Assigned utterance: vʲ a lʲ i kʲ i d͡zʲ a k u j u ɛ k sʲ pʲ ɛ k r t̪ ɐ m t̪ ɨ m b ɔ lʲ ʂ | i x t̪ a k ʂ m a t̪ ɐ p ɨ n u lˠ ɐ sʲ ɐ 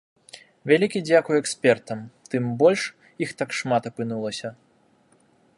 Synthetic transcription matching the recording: vʲ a lʲ i kʲ i d͡zʲ a k u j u ɛ k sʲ pʲ ɛ r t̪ ɐ m t̪ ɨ m b ɔ lʲ ʂ | i x t̪ a k ʂ m a t̪ ɐ p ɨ n u lˠ ɐ sʲ ɐ